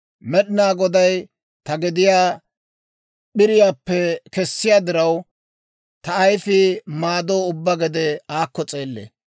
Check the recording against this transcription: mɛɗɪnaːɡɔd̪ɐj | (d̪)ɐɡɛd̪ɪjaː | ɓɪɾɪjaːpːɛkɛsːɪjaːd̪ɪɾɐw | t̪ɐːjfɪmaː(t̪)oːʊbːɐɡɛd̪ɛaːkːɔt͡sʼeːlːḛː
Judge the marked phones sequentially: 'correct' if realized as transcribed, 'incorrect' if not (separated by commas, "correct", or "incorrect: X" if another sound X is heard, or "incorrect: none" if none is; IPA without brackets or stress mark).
incorrect: t̪, incorrect: d̪